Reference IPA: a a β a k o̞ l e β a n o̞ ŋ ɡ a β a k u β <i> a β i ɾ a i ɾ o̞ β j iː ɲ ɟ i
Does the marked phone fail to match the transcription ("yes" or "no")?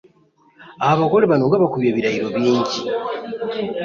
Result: yes